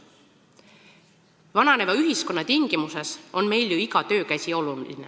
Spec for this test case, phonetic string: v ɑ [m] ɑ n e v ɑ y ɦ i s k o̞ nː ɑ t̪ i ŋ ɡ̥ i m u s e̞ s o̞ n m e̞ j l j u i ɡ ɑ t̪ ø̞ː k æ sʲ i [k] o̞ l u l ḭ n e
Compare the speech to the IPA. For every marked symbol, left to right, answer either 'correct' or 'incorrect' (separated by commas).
incorrect, incorrect